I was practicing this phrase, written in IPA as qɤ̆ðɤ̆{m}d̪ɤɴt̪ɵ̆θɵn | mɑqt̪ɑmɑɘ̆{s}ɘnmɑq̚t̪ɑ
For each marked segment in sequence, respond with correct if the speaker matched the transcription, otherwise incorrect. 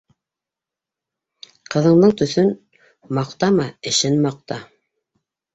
incorrect, incorrect

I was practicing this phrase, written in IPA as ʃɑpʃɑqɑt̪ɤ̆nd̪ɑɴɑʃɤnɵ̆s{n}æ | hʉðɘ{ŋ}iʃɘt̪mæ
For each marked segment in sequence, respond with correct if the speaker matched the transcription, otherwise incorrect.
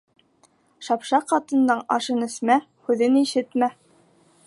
incorrect, incorrect

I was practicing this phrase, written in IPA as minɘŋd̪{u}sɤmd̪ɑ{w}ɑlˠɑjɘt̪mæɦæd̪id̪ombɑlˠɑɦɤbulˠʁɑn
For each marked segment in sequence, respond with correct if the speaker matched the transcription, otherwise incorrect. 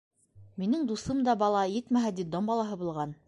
correct, incorrect

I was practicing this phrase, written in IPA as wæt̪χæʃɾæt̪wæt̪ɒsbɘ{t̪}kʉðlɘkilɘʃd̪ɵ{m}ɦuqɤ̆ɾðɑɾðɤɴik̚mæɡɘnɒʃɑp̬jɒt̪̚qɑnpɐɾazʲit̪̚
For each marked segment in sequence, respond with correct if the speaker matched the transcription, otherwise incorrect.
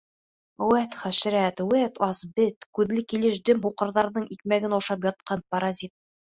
correct, correct

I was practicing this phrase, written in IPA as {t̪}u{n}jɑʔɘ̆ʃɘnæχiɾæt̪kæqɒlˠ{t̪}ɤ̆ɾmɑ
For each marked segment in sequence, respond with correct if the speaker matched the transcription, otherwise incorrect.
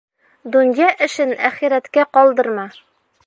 incorrect, correct, incorrect

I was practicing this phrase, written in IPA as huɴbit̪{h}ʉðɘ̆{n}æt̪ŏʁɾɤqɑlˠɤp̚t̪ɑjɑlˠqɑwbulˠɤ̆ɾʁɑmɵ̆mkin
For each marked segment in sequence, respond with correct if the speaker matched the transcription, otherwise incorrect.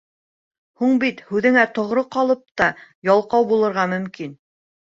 correct, incorrect

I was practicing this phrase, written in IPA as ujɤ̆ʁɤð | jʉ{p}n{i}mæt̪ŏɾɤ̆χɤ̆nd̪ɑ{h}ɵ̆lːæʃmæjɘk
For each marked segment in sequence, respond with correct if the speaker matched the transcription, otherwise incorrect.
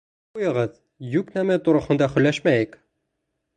incorrect, incorrect, incorrect

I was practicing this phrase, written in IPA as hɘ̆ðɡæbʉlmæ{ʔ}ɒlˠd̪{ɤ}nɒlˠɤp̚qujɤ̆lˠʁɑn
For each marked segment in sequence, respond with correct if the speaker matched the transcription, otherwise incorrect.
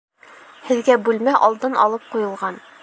correct, correct

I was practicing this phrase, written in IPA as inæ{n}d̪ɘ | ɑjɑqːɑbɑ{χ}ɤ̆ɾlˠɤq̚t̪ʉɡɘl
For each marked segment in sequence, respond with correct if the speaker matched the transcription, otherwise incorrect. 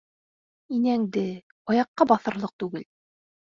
incorrect, incorrect

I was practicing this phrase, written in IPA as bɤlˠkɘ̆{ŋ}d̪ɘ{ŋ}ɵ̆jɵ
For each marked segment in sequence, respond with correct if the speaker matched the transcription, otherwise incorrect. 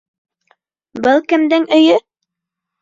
incorrect, correct

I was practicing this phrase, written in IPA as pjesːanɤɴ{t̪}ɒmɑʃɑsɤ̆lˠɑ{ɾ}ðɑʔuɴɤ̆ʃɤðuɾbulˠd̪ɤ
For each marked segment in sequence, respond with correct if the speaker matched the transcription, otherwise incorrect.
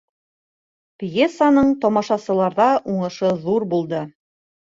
correct, correct

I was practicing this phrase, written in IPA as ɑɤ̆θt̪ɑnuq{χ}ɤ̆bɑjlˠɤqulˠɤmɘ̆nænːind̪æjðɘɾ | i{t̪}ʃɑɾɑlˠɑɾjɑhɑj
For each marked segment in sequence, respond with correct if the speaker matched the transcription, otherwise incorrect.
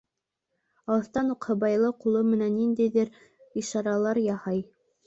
incorrect, incorrect

